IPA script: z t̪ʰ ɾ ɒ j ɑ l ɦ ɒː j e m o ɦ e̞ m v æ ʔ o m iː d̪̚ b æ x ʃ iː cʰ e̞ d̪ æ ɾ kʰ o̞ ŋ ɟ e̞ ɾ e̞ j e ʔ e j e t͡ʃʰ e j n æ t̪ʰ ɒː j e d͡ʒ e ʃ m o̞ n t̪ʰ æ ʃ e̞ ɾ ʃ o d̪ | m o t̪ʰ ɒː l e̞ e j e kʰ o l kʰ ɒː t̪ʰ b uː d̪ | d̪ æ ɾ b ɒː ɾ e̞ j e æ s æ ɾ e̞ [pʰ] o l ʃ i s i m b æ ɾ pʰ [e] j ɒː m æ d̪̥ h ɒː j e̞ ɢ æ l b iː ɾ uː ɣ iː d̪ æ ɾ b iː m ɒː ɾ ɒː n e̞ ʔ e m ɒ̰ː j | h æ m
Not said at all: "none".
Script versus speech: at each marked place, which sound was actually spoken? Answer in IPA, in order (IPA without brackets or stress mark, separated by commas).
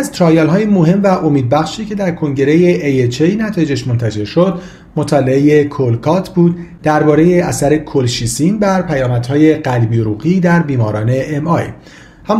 kʰ, æ